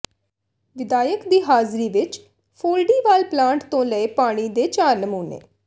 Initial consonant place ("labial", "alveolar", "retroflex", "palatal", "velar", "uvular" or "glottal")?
labial